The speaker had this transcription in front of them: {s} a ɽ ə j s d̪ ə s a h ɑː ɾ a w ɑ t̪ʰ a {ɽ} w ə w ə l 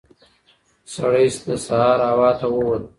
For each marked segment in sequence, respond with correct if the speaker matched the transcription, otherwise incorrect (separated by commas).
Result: correct, incorrect